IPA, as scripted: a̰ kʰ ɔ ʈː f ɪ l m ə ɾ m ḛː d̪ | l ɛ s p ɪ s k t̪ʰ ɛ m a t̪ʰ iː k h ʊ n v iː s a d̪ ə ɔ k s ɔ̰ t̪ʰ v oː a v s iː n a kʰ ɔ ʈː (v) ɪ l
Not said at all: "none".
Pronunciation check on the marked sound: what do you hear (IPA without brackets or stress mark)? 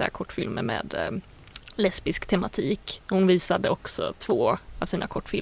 f